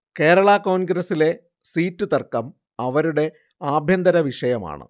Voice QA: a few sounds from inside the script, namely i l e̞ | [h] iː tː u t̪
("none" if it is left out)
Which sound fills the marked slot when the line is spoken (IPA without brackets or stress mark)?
s